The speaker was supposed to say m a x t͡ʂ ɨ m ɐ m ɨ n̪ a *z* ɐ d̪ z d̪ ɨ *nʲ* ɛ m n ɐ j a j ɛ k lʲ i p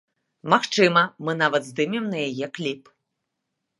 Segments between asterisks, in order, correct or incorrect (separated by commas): incorrect, incorrect